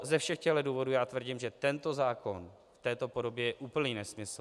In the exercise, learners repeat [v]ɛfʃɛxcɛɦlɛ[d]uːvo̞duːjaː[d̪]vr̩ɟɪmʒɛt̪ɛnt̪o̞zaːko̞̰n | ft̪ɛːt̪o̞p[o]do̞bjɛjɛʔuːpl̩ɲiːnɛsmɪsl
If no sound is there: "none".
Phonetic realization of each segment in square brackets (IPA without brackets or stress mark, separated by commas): z, d, t̪, o